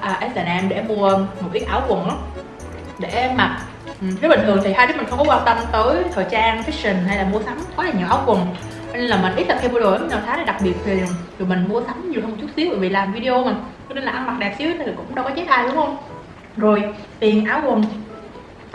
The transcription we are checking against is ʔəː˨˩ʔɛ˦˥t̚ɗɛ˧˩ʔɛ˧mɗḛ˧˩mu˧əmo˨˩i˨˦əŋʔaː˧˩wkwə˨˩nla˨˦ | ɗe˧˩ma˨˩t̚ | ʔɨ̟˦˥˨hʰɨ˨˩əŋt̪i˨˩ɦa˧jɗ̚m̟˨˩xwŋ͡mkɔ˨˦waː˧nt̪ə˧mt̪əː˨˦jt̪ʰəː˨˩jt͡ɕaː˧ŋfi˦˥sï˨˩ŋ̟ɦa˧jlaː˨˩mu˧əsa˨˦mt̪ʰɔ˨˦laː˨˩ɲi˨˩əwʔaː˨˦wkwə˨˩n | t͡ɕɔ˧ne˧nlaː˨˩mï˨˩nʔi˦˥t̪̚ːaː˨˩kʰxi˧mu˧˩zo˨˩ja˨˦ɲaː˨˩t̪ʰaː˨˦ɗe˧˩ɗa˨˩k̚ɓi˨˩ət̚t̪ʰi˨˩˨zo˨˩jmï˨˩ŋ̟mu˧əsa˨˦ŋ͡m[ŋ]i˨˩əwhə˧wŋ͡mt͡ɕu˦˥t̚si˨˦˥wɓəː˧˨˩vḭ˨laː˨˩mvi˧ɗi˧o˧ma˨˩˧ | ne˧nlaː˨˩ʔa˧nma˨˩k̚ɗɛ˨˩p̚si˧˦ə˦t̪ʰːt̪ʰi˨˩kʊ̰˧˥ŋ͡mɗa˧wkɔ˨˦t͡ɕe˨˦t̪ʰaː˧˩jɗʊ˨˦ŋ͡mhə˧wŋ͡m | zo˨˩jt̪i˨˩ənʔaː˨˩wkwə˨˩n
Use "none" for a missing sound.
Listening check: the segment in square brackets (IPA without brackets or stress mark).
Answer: ɲ